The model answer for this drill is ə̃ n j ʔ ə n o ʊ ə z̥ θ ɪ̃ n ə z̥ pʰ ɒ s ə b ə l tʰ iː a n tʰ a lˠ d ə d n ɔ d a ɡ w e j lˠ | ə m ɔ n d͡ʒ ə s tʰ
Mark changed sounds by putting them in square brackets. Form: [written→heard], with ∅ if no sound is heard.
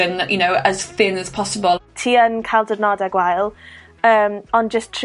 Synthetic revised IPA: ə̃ n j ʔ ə n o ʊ ə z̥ θ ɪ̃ n ə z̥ pʰ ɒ s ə b ə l tʰ iː [a→ə] n [tʰ→kʰ] a lˠ d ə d n ɔ d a ɡ w [e→a] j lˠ | [ə→əː] m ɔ n d͡ʒ ə s tʰ

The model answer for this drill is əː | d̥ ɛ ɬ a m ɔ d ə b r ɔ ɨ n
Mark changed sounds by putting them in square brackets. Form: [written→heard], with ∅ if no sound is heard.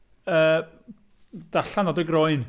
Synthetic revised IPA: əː | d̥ [ɛ→a] ɬ a [m→n] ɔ d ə [b→ɡ] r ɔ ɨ n

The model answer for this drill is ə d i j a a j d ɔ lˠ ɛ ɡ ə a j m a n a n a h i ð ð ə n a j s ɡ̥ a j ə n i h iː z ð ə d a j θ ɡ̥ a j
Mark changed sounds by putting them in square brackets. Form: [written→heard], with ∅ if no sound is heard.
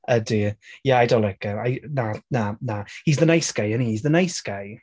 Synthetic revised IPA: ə d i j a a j d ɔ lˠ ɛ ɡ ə a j [m→n] a n a n a h i [ð→z] ð ə n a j s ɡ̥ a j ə n i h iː z ð ə [d→n] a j [θ→s] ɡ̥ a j

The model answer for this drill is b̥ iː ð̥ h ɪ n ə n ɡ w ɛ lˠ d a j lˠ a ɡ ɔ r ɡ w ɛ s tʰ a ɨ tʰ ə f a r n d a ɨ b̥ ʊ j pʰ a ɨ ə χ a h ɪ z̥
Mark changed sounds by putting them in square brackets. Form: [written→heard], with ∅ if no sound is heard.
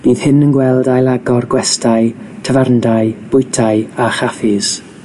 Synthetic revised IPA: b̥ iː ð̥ h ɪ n ə n ɡ w ɛ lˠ d a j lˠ a ɡ ɔ r ɡ w ɛ s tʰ a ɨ tʰ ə [f→v] a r n d a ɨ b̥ ʊ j [pʰ→tʰ] a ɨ [ə→a] χ a [h→f] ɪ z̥

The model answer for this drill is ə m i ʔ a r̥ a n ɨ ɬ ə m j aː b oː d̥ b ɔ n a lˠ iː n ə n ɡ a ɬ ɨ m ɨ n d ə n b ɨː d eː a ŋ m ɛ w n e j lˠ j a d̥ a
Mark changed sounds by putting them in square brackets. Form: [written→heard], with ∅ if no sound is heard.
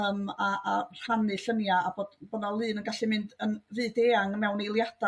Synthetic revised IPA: ə m [i→a] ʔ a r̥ a n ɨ ɬ ə [m→n] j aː b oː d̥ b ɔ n a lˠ [iː→ɨː] n ə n ɡ a ɬ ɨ m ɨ n d ə n [b→v] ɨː d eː a ŋ m ɛ w n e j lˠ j a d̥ a

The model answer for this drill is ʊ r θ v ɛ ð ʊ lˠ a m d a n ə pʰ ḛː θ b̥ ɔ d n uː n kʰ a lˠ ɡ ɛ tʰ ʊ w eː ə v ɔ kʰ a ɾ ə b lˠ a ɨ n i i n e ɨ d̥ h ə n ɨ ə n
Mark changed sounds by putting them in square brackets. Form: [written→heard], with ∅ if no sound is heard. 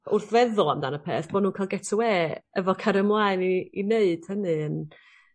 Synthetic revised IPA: ʊ r θ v ɛ ð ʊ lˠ a m d a n ə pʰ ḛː θ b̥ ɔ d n uː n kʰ a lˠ ɡ ɛ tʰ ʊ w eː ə v ɔ kʰ a ɾ ə [b→m] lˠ a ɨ n i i n e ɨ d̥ h ə n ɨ ə n

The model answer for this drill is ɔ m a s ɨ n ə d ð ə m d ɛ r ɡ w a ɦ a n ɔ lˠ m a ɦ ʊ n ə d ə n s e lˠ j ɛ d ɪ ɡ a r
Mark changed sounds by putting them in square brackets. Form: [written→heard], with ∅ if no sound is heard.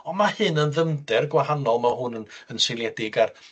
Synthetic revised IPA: ɔ m a [s→h] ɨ n ə [d→n] ð ə m d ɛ r ɡ w a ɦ a n ɔ lˠ m a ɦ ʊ n ə [d→n] ə n s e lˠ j ɛ d ɪ ɡ a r

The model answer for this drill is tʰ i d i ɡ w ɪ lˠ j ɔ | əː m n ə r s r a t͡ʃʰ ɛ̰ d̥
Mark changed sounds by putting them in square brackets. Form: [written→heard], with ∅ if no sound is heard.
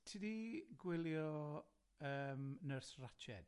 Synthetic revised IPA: tʰ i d i ɡ w ɪ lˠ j ɔ | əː m n ə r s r a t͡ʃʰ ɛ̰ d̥

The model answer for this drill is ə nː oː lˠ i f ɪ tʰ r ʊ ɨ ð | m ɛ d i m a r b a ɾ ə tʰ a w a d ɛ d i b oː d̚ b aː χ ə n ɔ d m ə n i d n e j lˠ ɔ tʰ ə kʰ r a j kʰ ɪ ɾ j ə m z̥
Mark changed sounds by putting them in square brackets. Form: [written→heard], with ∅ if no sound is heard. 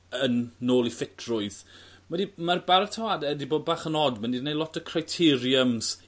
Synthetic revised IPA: ə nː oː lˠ i f ɪ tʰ r ʊ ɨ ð | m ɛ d i m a r b a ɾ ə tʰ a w a d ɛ d i b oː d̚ b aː χ ə n ɔ d m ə n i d n e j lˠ ɔ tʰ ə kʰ r a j [kʰ→tʰ] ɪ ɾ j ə m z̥

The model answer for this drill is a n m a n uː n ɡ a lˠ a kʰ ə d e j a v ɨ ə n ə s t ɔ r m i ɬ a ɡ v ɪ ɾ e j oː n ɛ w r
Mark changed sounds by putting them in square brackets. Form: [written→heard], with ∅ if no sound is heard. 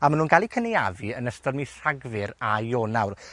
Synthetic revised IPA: a [n→∅] m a n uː n ɡ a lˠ [a→i] kʰ ə [d→n] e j a v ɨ ə n ə s t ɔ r m i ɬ a ɡ v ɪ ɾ [e→a] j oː n [ɛ→a] w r

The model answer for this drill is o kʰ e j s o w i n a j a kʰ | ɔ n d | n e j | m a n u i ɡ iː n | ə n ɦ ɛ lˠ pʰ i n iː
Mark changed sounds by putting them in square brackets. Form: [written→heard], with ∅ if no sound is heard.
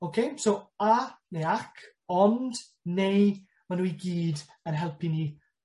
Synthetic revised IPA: o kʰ e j s o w [i→a] n [a→e] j a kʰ | ɔ n d | n e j | m a n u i ɡ iː [n→d] | ə n ɦ ɛ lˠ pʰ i n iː

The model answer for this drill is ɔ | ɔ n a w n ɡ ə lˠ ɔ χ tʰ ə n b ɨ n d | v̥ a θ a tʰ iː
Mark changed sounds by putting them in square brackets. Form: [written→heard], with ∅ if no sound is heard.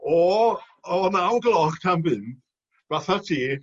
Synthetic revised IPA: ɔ | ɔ n a w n ɡ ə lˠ ɔ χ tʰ [ə→a] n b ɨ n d | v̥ a θ a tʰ iː

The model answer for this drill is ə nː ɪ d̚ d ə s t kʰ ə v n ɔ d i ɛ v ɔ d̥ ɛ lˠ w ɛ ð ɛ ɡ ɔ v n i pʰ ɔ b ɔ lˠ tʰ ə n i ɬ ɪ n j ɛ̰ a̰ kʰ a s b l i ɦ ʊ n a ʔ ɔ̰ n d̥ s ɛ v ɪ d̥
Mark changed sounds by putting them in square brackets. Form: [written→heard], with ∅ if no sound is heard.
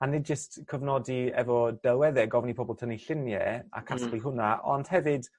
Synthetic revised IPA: [ə→a] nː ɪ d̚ [d→d͡ʒ] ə s t kʰ ə v n ɔ d i ɛ v ɔ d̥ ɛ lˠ w ɛ ð ɛ ɡ ɔ v n i pʰ ɔ b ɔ lˠ tʰ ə n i ɬ ɪ n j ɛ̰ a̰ kʰ a s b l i ɦ ʊ n a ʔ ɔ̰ n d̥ [s→h] ɛ v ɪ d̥

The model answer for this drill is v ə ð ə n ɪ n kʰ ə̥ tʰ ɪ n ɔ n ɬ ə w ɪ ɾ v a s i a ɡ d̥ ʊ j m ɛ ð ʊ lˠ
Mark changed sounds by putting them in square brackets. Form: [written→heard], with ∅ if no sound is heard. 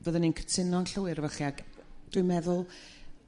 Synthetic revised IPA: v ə ð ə n [ɪ→i] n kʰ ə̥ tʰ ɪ n ɔ n ɬ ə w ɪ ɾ v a [s→χ] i a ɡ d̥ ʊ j m ɛ ð ʊ lˠ

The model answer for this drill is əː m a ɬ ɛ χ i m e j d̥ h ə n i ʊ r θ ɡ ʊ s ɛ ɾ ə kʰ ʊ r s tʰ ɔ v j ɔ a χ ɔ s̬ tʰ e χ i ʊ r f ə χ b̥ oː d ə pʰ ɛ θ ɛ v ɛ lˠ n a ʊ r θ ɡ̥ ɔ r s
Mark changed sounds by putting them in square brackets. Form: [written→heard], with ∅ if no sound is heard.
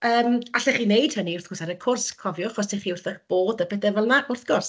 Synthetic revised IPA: əː m a ɬ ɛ χ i [m→n] e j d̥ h ə n i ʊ r θ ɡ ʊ s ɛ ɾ ə kʰ ʊ r s [tʰ→kʰ] ɔ v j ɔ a χ ɔ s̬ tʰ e χ i ʊ r [f→θ] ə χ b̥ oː d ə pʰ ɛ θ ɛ v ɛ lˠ n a ʊ r θ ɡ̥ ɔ r s

